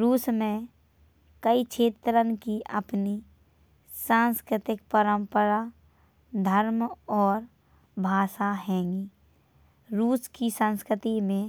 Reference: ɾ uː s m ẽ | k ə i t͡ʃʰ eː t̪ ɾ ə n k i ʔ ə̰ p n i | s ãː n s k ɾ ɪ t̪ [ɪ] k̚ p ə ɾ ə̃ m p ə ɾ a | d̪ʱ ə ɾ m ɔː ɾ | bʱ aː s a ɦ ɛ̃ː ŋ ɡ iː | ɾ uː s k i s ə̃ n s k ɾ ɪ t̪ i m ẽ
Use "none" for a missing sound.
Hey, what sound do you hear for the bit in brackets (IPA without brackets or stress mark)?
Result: ɪ